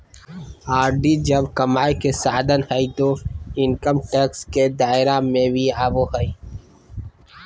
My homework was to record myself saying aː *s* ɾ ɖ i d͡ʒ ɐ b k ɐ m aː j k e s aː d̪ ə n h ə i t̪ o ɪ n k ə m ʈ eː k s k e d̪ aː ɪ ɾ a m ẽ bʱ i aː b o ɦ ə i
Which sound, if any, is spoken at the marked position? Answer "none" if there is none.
none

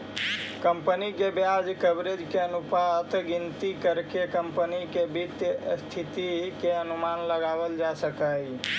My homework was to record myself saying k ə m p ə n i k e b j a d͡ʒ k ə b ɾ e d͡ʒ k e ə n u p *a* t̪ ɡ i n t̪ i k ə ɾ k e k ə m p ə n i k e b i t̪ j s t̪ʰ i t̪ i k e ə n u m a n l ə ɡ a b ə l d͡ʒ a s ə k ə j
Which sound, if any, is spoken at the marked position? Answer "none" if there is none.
a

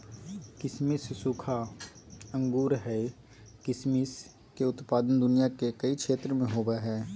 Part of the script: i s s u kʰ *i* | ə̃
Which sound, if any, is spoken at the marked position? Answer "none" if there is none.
a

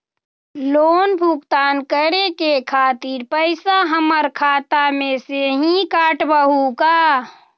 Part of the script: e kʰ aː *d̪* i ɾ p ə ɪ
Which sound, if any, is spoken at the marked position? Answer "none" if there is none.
t̪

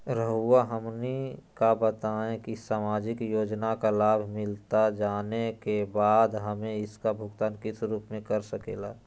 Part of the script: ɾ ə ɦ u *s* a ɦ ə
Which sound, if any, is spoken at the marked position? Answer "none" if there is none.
none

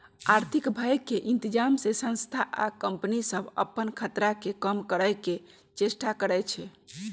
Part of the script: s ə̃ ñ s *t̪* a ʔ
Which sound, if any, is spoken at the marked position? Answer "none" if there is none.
t̪ʰ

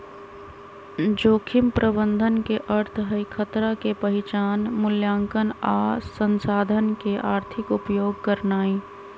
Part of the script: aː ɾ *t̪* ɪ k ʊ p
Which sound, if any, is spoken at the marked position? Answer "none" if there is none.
t̪ʰ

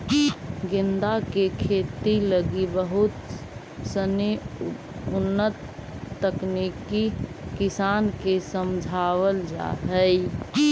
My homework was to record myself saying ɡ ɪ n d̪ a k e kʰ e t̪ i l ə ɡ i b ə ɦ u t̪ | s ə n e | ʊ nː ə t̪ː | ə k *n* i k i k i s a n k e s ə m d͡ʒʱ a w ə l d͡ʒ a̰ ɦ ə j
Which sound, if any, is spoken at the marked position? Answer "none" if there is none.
n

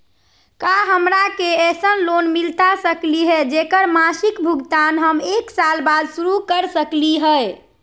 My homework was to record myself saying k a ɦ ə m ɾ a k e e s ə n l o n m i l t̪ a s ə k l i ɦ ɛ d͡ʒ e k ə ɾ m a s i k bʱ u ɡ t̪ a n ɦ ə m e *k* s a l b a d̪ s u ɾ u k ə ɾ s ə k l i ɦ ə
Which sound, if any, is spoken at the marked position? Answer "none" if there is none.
k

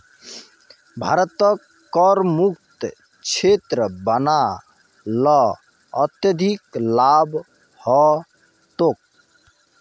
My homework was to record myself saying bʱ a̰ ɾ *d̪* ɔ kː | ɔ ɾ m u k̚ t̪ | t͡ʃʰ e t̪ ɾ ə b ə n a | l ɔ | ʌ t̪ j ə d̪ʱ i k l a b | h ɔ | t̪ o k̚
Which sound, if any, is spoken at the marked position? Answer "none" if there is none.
t̪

